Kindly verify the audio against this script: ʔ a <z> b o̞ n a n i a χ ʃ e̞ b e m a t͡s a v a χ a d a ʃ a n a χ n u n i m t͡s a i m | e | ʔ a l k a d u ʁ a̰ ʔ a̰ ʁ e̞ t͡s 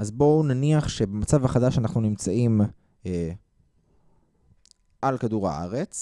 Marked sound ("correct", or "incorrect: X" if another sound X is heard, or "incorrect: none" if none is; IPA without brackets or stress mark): correct